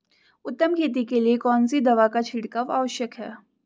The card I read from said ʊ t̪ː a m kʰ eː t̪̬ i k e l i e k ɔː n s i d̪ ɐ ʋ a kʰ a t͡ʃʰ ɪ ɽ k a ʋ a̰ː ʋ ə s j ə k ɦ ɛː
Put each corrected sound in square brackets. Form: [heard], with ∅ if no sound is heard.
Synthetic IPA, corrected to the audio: ʊ t̪ː [ə] m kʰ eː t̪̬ i k e l i e k ɔː n s i d̪ ɐ ʋ a [k] a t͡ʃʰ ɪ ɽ k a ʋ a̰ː ʋ ə [ʃ] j ə k ɦ ɛː

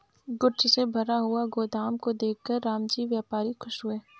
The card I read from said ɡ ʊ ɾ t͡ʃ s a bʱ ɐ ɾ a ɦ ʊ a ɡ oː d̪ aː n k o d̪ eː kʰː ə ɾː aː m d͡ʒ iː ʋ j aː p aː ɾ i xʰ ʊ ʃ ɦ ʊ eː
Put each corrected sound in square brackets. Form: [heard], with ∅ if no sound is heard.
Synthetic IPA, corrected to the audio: ɡ ʊ ɾ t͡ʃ s [e] bʱ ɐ ɾ a ɦ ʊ a ɡ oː d̪ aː [m] k o d̪ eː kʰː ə ɾː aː m d͡ʒ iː ʋ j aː p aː ɾ i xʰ ʊ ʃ ɦ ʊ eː

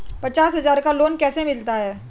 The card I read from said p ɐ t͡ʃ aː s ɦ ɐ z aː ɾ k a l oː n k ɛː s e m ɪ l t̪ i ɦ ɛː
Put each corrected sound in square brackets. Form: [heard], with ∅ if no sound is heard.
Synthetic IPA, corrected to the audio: p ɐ t͡ʃ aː s ɦ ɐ z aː ɾ k a l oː n k ɛː s e m ɪ l t̪ [a] ɦ ɛː

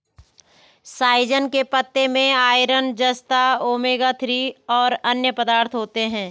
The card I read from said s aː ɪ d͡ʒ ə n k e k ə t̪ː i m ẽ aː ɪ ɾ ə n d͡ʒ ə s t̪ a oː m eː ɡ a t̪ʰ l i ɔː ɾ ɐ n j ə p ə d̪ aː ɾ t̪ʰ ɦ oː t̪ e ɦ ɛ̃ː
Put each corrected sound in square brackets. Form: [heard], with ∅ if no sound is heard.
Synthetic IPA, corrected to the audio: s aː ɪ d͡ʒ ə n k e [p] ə t̪ː [e] m ẽ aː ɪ ɾ ə n d͡ʒ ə s t̪ a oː m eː ɡ a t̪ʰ [ɾ] i ɔː ɾ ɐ n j ə p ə d̪ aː ɾ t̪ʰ ɦ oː t̪ e ɦ ɛ̃ː

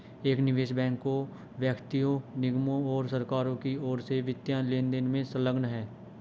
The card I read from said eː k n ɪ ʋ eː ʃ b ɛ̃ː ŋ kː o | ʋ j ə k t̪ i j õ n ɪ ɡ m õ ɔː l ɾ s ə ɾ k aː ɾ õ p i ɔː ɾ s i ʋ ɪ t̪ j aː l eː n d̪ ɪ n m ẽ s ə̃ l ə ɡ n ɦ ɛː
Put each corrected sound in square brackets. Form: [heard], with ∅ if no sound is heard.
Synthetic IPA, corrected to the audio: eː k n ɪ ʋ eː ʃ b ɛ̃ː ŋ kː o | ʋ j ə k t̪ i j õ n ɪ ɡ m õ ɔː [∅] ɾ s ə ɾ k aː ɾ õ [k] i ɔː ɾ s [e] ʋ ɪ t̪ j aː l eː n d̪ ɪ n m ẽ s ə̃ l ə ɡ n ɦ ɛː

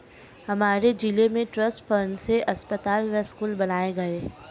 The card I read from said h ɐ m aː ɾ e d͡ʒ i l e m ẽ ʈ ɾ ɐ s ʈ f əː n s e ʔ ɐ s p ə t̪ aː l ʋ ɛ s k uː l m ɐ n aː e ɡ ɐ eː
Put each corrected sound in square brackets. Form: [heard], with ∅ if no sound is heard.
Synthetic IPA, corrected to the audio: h ɐ m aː ɾ e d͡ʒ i l e m ẽ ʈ ɾ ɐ s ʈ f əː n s e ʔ ɐ s p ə t̪ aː l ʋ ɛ s k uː l [b] ɐ n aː e ɡ ɐ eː

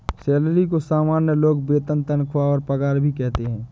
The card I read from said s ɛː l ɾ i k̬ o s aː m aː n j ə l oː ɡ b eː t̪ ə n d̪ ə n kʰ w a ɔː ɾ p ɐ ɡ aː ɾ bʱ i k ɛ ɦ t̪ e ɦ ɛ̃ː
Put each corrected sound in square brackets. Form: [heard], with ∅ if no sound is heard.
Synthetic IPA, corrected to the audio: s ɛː l ɾ i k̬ o s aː m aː n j ə l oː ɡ b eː t̪ ə n [t̪] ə n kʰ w a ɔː ɾ p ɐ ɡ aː ɾ bʱ i k ɛ ɦ t̪ e ɦ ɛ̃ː

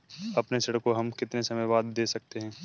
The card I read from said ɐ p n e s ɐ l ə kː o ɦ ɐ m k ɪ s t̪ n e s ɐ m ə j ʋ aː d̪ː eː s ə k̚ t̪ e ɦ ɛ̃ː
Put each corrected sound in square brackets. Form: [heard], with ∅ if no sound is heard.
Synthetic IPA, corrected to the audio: ɐ p n e s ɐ [ɽ] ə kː o ɦ ɐ m k ɪ [∅] t̪ n e s ɐ m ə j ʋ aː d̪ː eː s [ɐ] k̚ t̪ e ɦ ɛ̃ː

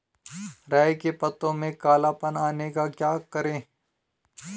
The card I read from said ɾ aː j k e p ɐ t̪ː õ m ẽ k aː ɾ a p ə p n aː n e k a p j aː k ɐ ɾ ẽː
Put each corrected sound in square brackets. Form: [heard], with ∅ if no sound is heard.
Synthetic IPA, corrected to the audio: ɾ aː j k e p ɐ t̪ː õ m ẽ k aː [l] a p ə [∅] n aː n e k a [k] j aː k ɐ ɾ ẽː

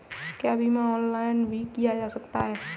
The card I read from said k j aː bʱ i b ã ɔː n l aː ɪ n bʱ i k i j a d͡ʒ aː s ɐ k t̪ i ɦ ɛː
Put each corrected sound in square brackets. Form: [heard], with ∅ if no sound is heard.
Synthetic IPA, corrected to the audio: k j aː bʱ i [m] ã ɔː n l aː ɪ n bʱ i k i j a d͡ʒ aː s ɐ k t̪ [a] ɦ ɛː

